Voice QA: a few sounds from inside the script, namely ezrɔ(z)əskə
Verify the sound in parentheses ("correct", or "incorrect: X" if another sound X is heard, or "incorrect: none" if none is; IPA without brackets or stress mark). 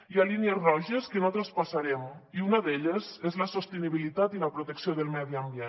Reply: incorrect: ʒ